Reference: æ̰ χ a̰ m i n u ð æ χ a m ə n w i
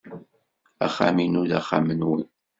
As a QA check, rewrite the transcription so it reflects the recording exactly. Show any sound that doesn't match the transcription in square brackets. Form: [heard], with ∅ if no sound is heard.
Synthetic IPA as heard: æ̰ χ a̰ m i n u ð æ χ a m ə n w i